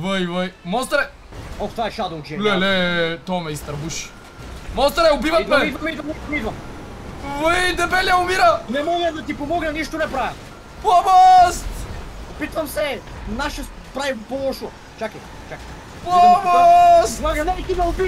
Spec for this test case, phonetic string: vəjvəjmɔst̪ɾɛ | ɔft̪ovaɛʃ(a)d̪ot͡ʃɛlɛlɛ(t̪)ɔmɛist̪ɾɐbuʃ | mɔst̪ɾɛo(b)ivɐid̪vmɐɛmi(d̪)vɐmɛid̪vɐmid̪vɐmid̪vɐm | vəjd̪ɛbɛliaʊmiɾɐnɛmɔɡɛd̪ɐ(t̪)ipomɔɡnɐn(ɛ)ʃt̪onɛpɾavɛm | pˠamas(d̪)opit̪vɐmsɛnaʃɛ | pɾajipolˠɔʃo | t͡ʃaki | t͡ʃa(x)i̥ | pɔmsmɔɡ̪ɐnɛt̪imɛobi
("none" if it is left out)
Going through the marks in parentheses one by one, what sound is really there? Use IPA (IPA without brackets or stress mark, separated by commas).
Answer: a, t̪, b, d̪, t̪, i, t̪, k